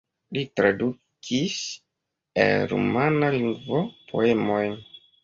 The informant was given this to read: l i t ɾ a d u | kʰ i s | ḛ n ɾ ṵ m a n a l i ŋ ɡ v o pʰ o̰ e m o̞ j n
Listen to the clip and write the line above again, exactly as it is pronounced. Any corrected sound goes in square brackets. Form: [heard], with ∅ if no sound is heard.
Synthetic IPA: l i t ɾ a d u | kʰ i s | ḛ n ɾ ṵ m a n a l i ŋ ɡ v o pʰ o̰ e m o̞ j n